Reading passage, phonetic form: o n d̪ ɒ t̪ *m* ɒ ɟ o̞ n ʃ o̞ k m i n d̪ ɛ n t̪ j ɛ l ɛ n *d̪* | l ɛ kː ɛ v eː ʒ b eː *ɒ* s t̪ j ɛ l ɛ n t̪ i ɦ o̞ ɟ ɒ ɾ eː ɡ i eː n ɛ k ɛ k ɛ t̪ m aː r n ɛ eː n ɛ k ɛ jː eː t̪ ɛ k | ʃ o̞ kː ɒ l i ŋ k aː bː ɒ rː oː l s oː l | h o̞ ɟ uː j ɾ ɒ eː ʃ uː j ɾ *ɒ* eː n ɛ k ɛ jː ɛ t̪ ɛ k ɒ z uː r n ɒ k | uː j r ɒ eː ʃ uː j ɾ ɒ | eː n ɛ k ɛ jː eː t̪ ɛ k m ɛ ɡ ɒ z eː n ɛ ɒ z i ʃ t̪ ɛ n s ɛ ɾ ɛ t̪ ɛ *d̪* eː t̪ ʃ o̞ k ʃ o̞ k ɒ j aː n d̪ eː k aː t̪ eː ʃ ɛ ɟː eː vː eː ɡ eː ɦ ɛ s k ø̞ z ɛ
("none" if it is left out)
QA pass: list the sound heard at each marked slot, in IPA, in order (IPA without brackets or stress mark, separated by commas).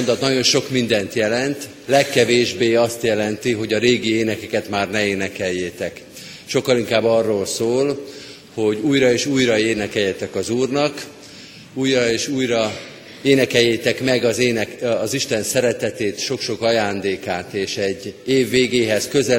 n, t̪, ɒ, ɒ, t̪